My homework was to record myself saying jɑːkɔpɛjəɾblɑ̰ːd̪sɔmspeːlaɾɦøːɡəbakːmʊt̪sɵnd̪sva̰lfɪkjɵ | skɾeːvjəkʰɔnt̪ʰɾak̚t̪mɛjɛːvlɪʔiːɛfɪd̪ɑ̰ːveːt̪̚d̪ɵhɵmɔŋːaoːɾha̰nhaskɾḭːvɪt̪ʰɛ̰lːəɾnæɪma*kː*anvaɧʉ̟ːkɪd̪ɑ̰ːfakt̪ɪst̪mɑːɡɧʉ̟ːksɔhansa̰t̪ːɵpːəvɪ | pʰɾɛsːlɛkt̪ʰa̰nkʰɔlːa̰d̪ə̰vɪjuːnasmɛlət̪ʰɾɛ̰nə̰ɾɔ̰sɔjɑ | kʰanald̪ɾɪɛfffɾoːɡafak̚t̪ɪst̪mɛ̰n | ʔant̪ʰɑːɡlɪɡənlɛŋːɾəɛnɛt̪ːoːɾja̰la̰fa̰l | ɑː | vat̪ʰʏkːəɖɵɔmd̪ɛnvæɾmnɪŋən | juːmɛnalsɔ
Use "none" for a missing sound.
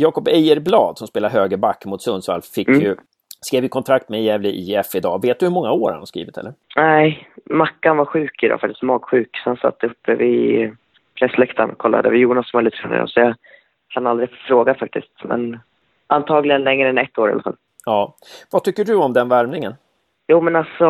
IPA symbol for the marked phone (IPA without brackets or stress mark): kː